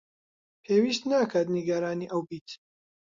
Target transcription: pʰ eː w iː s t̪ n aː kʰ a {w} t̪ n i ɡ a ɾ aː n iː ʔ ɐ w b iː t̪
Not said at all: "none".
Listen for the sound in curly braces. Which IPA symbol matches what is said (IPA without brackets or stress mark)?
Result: none